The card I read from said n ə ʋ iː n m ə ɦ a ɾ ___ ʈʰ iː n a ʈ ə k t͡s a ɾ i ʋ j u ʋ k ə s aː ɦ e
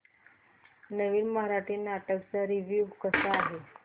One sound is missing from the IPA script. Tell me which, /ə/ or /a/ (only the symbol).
a